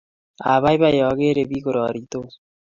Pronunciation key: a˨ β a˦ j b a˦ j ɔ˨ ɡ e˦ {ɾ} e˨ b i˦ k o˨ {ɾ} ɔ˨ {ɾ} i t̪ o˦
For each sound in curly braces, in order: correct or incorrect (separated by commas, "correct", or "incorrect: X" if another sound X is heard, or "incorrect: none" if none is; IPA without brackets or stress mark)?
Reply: correct, correct, correct